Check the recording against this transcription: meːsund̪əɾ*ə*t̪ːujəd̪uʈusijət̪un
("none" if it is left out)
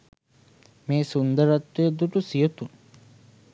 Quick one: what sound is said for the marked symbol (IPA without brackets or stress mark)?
a